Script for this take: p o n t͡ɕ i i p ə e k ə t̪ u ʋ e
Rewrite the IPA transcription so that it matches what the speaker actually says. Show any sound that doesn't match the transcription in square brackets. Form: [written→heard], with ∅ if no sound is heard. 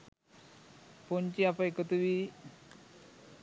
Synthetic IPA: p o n t͡ɕ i [i→a] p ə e k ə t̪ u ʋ [e→i]